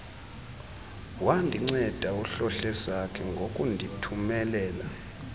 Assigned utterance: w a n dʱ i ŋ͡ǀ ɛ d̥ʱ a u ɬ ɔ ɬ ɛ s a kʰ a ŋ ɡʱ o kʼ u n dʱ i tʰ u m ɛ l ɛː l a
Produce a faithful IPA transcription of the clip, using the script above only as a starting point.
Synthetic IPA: w a n dʱ i ŋ͡ǀ ɛ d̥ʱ a u ɬ ɔ ɬ ɛ s a kʰ ɛ ŋ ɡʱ o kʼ u n dʱ i tʰ u m ɛ l ɛː l a